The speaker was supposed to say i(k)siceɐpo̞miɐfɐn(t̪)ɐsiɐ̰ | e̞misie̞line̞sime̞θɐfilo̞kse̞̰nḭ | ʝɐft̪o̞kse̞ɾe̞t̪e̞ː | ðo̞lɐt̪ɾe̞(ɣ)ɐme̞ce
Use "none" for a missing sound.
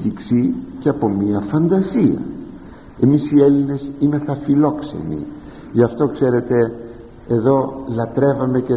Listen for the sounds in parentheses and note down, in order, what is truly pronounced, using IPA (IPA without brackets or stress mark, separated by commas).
k, d̪, v